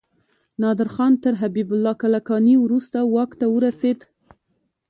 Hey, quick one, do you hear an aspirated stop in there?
no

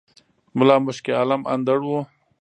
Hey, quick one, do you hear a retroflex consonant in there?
yes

